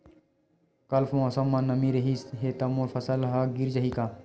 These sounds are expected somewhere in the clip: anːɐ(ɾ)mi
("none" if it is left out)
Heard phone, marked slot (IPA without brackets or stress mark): none